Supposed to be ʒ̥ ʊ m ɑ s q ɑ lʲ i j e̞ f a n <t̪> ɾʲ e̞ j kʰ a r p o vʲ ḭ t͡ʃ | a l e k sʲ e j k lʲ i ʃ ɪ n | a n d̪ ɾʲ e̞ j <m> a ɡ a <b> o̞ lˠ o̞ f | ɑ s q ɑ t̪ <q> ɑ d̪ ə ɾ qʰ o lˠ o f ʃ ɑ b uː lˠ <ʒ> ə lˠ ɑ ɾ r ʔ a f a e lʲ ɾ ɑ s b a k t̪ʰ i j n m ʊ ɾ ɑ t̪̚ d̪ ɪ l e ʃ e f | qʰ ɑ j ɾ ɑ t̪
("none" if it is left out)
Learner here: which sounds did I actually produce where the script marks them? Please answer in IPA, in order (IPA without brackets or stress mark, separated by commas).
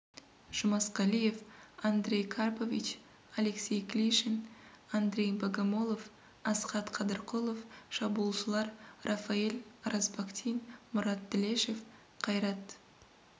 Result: d̪, b, m, qʰ, ʃ